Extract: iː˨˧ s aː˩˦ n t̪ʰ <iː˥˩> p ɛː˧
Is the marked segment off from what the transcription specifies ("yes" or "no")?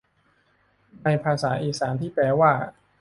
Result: no